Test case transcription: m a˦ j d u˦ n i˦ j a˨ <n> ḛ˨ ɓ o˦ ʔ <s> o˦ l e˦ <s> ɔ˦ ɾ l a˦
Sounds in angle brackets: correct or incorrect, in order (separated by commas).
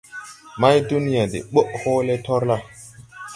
incorrect, incorrect, incorrect